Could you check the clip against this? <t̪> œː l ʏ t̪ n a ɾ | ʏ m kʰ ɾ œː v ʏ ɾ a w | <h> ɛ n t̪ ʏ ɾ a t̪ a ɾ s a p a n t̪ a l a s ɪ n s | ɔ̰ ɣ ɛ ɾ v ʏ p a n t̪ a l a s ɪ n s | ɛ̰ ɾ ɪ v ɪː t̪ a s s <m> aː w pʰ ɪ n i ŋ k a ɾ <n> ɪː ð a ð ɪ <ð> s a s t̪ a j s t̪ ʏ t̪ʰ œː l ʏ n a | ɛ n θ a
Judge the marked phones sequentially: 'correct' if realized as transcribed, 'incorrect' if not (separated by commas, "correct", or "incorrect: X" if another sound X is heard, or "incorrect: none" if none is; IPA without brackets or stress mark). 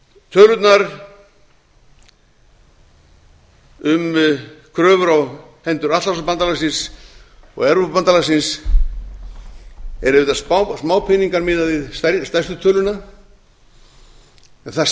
incorrect: t̪ʰ, correct, correct, incorrect: m, correct